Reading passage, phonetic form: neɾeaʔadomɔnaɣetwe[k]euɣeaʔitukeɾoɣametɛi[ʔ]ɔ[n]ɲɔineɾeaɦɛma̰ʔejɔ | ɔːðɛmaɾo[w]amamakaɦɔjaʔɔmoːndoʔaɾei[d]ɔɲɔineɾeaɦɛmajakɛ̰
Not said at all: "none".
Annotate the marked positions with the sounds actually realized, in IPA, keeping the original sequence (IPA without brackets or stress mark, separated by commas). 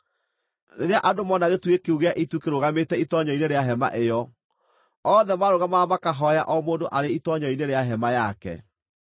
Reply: k, t, none, ɣ, t